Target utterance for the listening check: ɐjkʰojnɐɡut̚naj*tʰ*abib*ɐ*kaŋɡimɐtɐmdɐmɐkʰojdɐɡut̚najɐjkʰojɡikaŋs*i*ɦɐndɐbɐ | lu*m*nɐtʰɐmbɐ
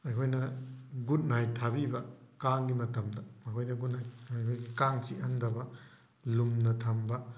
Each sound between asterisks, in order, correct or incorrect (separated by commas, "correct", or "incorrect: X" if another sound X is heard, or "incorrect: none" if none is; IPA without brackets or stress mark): correct, correct, correct, correct